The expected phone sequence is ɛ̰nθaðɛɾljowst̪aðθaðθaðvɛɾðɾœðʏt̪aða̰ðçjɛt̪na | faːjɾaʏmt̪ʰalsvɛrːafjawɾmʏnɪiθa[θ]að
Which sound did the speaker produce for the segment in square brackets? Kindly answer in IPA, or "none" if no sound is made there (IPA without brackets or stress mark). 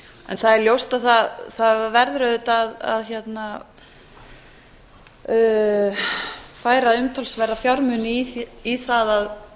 ð